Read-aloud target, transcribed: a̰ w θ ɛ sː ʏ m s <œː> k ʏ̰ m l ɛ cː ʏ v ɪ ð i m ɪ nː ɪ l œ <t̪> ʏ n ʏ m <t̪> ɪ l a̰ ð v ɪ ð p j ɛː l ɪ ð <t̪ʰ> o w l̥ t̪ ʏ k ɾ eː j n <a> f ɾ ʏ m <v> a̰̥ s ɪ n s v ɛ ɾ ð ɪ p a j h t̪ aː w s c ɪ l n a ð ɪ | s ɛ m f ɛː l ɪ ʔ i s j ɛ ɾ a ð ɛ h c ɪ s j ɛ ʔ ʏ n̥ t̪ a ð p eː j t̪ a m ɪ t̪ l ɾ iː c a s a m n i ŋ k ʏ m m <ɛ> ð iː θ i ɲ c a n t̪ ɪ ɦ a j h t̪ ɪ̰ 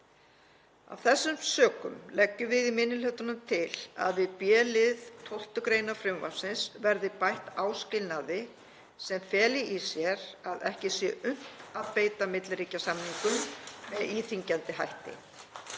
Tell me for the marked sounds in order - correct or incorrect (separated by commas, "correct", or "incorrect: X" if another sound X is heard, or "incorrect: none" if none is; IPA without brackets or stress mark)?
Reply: correct, correct, incorrect: t̪ʰ, correct, correct, correct, correct